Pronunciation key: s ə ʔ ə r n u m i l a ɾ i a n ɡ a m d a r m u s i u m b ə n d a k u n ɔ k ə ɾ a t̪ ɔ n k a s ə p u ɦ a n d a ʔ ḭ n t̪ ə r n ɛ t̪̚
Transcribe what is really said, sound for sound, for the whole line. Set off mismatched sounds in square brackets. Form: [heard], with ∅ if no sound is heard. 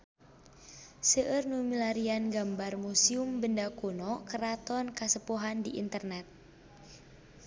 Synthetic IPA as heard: s ə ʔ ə r n u m i l a ɾ i a n ɡ a m [b] a r m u s i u m b ə n d a k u n ɔ k ə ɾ a t̪ ɔ n k a s ə p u ɦ a n d [i] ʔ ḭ n t̪ ə r n ɛ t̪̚